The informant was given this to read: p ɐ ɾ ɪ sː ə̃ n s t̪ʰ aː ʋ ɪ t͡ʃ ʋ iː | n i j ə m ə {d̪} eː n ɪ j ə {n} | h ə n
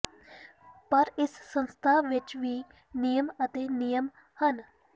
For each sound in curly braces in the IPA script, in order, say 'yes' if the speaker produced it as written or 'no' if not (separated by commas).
no, no